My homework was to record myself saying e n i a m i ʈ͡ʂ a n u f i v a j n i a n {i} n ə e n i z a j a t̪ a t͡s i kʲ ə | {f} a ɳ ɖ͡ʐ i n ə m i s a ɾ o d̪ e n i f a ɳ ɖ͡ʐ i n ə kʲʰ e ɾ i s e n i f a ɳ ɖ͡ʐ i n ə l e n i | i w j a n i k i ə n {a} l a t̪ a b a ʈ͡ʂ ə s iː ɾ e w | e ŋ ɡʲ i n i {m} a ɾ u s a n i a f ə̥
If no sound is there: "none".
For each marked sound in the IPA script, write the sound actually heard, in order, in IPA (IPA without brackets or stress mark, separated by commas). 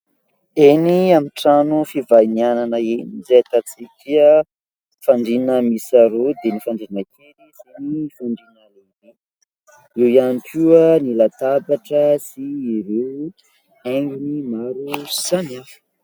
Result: a, f, i, m